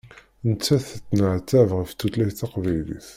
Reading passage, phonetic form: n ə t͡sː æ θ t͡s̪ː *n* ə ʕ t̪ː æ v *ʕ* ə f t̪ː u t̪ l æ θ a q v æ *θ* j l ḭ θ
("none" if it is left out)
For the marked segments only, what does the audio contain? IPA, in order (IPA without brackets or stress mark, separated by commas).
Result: n, ʁ, none